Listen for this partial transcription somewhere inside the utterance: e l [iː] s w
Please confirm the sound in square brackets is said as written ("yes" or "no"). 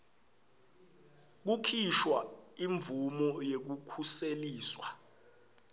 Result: yes